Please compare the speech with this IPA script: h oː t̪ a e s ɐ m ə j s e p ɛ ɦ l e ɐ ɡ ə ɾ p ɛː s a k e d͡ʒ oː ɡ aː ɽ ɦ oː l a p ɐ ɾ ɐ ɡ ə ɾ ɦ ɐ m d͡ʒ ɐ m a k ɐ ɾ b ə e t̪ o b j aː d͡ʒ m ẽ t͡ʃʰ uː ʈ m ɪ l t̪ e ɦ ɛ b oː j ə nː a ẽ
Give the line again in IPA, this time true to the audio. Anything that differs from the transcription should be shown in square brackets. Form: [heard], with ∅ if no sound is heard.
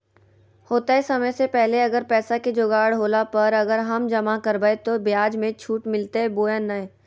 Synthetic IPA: h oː t̪ a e s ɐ m ə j s e p ɛ ɦ l e ɐ ɡ ə ɾ p ɛː s a k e d͡ʒ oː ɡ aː ɽ ɦ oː l a p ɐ ɾ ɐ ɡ ə ɾ ɦ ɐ m d͡ʒ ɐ m a k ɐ ɾ b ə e t̪ o b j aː d͡ʒ m ẽ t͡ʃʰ uː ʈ m ɪ l t̪ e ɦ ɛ b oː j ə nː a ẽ